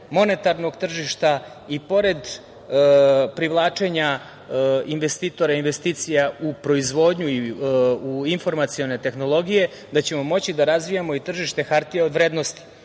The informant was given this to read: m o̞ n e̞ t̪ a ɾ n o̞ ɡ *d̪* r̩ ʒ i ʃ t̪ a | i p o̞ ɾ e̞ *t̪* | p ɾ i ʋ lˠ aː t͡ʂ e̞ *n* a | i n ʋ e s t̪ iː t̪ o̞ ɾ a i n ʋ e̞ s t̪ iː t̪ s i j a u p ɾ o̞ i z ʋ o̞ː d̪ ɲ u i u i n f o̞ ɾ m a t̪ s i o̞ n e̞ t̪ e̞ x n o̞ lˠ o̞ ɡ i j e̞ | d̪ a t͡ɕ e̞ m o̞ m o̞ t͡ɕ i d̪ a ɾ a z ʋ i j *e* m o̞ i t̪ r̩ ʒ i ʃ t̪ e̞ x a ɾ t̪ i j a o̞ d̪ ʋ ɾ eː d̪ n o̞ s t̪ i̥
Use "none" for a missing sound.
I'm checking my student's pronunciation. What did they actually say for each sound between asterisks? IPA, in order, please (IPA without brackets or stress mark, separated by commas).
t̪, d̪, ɲ, a